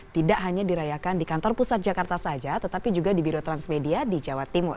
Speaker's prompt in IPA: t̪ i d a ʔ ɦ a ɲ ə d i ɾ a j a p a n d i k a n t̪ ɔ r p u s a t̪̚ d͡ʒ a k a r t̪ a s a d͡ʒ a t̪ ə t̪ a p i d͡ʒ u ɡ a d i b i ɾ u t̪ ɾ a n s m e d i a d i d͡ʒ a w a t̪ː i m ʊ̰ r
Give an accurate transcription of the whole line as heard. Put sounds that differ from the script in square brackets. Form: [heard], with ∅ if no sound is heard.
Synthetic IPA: t̪ i d a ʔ ɦ a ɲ [a] d i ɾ a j a [k] a n d i k a n t̪ ɔ r p u s a t̪̚ d͡ʒ a k a r t̪ a s a d͡ʒ a t̪ ə t̪ a p i d͡ʒ u ɡ a d i b i ɾ [o] t̪ ɾ a n s m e d i a d i d͡ʒ a w a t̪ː i m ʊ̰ r